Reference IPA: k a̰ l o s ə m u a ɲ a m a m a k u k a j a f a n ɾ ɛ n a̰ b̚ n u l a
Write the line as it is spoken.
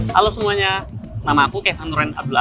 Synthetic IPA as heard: k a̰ l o s ə m u a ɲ a n a m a k u k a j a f a n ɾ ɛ n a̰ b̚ d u l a